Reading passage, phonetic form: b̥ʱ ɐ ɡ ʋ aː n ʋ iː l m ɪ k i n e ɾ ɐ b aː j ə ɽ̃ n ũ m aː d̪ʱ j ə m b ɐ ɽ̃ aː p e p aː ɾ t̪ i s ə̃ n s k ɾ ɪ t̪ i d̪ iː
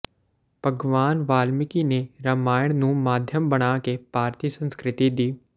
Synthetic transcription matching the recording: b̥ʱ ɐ ɡ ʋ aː n ʋ aː l m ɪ k i n e ɾ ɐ m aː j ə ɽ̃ n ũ m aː d̪ʱ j ə m b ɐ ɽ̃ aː k e p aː ɾ t̪ i s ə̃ n s k ɾ ɪ t̪ i d̪ iː